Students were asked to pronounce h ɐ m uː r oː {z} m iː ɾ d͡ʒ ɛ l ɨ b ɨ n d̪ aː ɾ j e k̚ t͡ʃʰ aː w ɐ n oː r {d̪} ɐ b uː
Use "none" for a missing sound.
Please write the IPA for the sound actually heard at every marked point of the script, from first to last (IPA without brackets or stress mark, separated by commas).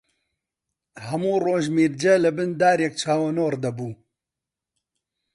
ʒ, d̪